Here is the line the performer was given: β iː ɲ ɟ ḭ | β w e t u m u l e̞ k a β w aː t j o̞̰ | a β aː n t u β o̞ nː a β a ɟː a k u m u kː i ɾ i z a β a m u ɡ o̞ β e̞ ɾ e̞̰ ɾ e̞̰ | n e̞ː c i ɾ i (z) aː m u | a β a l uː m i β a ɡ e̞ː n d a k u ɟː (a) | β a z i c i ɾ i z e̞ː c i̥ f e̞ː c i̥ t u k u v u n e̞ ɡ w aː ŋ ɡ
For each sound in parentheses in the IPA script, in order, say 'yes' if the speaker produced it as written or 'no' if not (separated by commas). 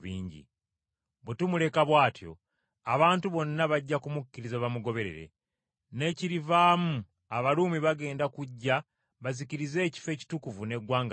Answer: no, yes